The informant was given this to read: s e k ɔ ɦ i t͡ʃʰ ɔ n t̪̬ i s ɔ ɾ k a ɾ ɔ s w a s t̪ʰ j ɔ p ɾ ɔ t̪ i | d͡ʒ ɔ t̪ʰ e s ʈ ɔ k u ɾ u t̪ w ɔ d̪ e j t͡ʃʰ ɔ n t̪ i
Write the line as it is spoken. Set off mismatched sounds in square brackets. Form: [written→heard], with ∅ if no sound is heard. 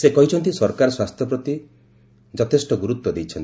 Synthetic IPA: s e k ɔ ɦ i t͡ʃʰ ɔ n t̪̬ i s ɔ ɾ k a ɾ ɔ s w a s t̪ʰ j ɔ p ɾ ɔ t̪ i | d͡ʒ ɔ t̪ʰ e s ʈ ɔ [k→ɡ] u ɾ u t̪ w ɔ d̪ e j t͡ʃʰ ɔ n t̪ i